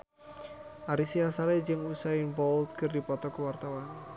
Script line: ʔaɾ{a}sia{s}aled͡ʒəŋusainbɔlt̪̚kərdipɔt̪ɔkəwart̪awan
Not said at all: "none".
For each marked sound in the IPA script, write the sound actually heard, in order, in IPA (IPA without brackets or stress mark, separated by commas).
i, s